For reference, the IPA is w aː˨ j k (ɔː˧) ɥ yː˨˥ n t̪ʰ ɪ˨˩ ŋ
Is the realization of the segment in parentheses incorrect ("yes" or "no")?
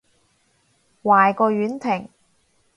no